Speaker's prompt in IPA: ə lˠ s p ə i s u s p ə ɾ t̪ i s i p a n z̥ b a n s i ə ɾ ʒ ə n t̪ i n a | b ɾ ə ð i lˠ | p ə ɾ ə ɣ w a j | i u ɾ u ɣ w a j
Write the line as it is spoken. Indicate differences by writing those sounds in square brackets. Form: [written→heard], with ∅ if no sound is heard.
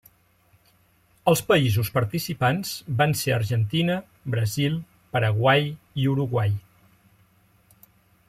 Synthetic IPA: ə lˠ s p ə i [s→z] u s p ə ɾ t̪ i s i p a n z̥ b a n s [i→e] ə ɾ ʒ ə n t̪ i n [a→ə] | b ɾ ə [ð→z] i lˠ | p ə ɾ ə ɣ w a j | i u ɾ u ɣ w a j